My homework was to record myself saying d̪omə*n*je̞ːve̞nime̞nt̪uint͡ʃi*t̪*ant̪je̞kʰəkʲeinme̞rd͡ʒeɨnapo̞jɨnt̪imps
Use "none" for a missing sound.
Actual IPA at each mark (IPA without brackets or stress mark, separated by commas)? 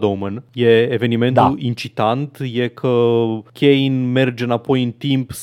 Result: n, t̪